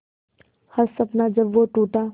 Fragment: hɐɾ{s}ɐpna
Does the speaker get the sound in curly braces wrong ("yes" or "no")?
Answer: no